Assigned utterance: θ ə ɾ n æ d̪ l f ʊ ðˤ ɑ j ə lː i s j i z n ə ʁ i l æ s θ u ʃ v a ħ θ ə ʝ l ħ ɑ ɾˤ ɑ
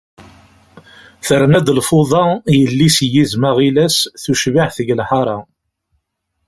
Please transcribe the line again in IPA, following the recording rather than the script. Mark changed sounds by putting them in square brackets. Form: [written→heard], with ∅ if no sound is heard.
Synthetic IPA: θ ə ɾ n æ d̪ l f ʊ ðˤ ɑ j ə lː i s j i z [n→m] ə ʁ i l æ s θ u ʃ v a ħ θ ə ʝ l ħ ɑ ɾˤ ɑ